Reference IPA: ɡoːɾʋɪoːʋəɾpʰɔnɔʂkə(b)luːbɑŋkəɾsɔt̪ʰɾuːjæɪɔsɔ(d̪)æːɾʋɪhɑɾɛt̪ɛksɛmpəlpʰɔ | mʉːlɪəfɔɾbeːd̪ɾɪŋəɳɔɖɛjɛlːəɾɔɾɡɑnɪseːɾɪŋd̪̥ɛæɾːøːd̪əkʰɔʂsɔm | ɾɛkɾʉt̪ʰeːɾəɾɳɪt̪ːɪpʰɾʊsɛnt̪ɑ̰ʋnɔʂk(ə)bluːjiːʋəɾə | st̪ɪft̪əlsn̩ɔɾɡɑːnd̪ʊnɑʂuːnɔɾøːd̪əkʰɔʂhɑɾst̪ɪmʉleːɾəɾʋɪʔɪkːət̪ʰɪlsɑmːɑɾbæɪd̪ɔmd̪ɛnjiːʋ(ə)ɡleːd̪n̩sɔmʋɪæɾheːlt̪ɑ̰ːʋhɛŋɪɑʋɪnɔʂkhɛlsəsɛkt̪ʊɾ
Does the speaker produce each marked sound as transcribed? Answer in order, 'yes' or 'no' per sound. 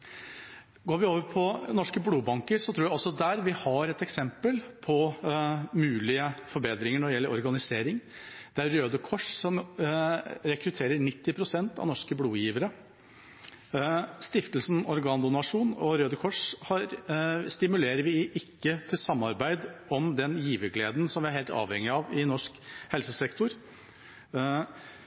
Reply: yes, yes, yes, yes

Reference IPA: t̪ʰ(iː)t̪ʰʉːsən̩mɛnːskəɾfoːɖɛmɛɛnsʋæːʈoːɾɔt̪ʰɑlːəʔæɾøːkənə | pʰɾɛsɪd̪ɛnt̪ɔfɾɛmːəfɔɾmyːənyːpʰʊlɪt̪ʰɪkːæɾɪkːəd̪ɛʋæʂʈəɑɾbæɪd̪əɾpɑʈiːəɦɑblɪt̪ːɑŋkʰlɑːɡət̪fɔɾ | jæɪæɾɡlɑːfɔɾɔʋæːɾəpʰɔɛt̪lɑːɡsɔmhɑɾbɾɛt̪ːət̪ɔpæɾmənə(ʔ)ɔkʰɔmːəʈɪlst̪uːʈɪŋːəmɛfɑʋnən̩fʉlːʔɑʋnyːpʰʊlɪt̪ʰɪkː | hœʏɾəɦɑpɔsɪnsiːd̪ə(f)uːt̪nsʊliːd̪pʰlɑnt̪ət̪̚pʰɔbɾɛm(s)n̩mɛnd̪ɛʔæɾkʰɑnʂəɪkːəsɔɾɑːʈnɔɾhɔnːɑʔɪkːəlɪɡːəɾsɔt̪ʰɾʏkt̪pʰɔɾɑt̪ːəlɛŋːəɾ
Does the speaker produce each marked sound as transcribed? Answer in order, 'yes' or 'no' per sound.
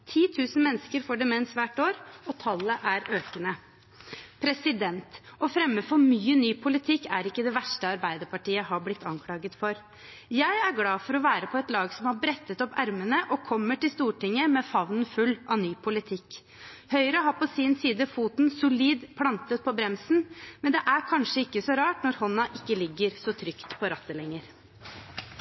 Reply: yes, yes, yes, yes

